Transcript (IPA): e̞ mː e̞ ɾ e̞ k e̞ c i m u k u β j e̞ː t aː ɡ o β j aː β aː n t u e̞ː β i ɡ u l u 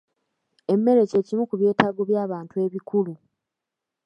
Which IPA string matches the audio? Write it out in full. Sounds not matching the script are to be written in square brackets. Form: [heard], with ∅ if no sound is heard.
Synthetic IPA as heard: e̞ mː e̞ ɾ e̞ [c] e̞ c i m u k u β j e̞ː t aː ɡ o β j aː β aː n t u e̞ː β i [k] u l u